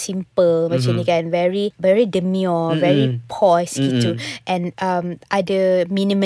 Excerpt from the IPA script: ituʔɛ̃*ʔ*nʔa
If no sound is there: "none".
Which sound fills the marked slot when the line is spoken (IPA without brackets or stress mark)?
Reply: none